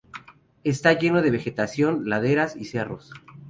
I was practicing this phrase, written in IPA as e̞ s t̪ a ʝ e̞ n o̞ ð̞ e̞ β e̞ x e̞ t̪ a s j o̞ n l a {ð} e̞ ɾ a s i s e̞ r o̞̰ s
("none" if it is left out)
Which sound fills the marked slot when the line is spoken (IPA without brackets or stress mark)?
ð